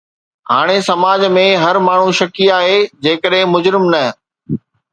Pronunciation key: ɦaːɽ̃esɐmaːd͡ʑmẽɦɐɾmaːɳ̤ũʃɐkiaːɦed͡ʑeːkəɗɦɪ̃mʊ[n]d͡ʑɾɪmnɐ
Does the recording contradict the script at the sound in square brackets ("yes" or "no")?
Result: yes